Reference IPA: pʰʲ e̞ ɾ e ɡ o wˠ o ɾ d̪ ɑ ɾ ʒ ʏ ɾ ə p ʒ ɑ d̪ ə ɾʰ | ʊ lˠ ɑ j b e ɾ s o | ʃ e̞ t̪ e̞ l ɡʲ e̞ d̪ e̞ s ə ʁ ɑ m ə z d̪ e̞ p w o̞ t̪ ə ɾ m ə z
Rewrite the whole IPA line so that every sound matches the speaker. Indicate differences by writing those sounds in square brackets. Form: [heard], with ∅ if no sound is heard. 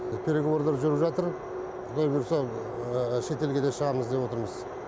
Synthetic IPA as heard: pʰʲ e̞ ɾ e ɡ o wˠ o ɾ d̪ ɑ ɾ ʒ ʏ ɾ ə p ʒ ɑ [t̪] ə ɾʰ | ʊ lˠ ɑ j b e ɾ s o | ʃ e̞ t̪ e̞ l ɡʲ e̞ d̪ e̞ [ʃ] ə ʁ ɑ m ə z d̪ e̞ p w o̞ t̪ ə ɾ m ə z